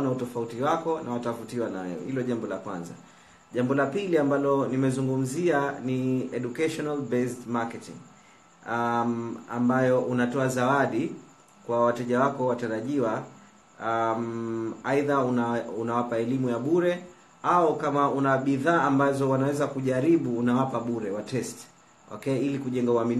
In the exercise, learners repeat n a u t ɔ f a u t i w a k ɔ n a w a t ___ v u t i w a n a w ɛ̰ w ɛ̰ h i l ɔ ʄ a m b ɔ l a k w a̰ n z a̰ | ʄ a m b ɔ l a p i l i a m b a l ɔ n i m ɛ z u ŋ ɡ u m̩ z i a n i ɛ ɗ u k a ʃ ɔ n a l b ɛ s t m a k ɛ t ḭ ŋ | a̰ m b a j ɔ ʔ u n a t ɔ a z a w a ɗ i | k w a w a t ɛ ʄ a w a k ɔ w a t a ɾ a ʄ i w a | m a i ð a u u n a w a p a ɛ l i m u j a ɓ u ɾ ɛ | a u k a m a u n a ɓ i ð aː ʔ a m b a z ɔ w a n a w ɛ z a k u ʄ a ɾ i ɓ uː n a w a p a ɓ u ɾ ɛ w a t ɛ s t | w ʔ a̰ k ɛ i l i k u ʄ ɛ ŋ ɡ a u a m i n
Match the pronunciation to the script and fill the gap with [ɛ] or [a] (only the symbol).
a